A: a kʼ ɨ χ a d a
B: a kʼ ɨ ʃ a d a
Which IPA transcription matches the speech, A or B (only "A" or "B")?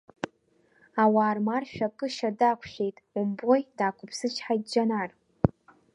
B